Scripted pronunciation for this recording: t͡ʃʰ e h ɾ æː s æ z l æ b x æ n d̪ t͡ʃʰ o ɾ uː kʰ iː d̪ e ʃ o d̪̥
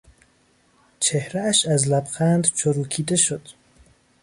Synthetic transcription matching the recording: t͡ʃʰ e h ɾ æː ʃ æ z l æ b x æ n d̪ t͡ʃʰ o ɾ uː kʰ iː d̪ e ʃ o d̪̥